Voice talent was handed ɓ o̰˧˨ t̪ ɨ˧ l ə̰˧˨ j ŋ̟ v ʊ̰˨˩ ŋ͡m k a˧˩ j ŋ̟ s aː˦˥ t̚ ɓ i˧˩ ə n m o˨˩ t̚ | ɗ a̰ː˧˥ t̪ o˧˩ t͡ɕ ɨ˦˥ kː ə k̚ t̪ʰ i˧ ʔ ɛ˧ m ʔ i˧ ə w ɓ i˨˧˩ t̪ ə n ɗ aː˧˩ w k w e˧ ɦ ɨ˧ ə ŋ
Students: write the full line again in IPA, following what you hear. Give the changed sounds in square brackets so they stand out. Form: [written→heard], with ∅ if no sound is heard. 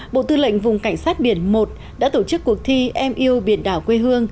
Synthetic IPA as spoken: ɓ o̰˧˨ t̪ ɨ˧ l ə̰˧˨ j ŋ̟ v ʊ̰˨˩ ŋ͡m k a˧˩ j ŋ̟ s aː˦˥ t̚ ɓ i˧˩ ə n m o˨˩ t̚ | ɗ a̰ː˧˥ t̪ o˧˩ t͡ɕ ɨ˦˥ kː ə k̚ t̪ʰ i˧ ʔ ɛ˧ m ʔ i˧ ə w ɓ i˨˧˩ [t̪→∅] ə n ɗ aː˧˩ w k w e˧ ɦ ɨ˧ ə ŋ